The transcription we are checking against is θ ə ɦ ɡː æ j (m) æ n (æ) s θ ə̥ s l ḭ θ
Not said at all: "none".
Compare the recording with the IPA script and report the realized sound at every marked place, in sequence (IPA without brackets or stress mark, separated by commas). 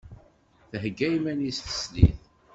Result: m, i